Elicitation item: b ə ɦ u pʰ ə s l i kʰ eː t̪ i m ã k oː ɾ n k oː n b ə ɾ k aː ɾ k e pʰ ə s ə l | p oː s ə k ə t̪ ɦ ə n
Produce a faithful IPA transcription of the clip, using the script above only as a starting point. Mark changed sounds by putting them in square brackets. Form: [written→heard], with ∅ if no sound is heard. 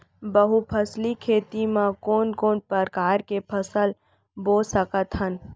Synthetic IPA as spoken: b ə ɦ u pʰ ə s l i kʰ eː t̪ i m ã k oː [ɾ→∅] n k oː n [b→p] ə ɾ k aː ɾ k e pʰ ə s ə l | [p→b] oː s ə k ə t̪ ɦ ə n